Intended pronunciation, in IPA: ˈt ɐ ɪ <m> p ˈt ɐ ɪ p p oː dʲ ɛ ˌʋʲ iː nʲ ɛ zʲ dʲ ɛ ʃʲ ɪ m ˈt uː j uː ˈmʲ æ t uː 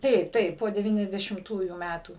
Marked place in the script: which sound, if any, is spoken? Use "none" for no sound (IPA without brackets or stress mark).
none